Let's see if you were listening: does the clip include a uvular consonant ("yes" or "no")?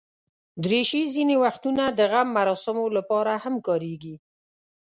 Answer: no